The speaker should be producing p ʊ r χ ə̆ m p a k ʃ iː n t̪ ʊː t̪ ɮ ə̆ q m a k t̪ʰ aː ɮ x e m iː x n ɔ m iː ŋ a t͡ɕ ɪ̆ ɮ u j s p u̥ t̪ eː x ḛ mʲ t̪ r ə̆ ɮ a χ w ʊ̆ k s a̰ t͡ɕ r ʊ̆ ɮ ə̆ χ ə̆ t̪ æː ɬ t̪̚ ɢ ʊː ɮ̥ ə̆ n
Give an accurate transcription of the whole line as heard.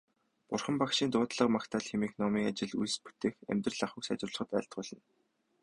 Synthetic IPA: p ʊ r χ ə̆ m p a k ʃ iː n t̪ ʊː t̪ ɮ ə̆ q m a k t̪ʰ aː ɮ x e m iː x n ɔ m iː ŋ a t͡ɕ ɪ̆ ɮ u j s p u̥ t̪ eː x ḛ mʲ t̪ r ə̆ ɮ a χ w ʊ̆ k s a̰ t͡ɕ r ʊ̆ ɮ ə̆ χ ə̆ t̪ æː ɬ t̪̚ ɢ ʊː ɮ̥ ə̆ n